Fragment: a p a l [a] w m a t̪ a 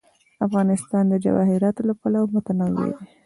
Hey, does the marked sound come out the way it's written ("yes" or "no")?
yes